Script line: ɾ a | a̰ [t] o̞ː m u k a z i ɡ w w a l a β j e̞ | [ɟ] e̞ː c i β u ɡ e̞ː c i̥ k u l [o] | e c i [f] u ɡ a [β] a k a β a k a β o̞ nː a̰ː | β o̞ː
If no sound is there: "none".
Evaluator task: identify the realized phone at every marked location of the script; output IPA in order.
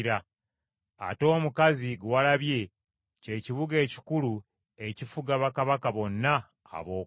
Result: t, c, u, f, β

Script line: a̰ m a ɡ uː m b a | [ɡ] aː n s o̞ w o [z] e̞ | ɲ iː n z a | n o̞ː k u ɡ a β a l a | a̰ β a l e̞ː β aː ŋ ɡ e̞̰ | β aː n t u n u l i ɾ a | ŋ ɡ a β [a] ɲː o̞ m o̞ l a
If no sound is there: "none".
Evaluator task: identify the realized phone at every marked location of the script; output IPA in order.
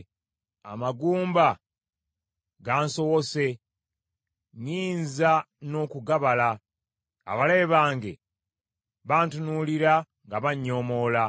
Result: ɡ, s, a

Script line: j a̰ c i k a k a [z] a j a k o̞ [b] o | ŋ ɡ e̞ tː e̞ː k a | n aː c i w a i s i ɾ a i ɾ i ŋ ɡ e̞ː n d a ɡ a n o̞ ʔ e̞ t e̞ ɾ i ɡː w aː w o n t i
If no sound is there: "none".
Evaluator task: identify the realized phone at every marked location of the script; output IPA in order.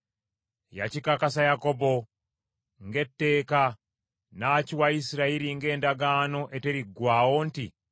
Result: s, b

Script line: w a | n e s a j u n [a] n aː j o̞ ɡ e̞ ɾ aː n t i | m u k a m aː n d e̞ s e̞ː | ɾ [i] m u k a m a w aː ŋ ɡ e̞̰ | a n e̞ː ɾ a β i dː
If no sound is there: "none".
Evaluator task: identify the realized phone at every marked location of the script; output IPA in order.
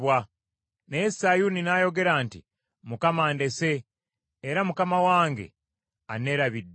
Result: i, a

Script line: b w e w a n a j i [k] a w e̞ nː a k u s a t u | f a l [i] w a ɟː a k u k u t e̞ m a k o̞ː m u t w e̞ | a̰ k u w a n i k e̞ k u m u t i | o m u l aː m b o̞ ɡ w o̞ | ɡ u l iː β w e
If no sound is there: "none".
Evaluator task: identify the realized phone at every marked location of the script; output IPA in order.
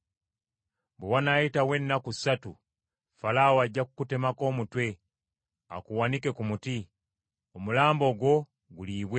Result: t, a

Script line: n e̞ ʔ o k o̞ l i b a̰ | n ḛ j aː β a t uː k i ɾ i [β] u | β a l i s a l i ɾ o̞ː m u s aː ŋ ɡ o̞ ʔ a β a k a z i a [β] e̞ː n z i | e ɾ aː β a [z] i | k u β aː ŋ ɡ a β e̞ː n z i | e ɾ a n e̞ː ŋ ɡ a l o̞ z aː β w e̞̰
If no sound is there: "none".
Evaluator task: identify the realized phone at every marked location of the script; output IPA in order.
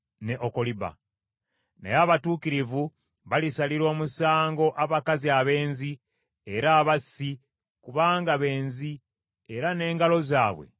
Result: v, β, s

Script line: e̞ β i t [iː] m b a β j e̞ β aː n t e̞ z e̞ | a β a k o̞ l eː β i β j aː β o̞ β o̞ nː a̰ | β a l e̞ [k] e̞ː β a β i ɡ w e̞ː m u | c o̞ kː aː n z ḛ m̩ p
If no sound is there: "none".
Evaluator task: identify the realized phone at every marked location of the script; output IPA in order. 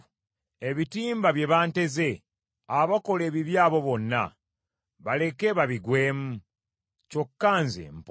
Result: iː, k

